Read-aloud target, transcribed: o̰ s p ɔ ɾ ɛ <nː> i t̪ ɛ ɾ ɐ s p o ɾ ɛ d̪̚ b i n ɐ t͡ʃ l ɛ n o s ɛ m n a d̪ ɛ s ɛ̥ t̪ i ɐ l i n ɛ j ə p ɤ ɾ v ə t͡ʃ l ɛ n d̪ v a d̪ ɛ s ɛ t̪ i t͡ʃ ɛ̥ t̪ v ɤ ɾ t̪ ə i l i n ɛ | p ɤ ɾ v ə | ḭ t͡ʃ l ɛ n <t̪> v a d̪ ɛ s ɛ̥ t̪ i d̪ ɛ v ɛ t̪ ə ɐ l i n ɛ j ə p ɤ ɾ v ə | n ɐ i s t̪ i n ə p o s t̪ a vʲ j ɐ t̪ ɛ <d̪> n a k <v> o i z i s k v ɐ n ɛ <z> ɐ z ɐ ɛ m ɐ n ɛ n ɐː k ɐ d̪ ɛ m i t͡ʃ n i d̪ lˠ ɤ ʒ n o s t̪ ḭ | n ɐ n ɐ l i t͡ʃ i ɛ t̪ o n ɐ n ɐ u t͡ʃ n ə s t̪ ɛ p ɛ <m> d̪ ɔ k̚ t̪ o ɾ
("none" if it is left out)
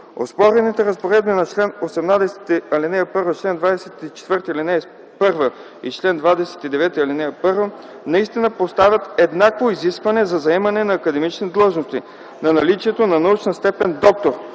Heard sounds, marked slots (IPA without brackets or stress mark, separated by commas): n, d̪, d̪, v, z, n